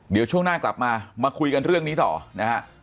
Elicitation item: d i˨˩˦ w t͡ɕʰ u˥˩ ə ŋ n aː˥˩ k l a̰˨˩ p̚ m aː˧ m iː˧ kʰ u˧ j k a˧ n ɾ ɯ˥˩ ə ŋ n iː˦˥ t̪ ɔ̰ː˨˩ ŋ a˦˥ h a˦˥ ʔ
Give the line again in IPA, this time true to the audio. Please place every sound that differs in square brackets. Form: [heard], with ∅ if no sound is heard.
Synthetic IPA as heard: d i˨˩˦ w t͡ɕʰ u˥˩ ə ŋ n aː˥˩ k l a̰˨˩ p̚ m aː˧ m [aː˧] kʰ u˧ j k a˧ n ɾ ɯ˥˩ ə ŋ n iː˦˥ t̪ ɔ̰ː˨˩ [n] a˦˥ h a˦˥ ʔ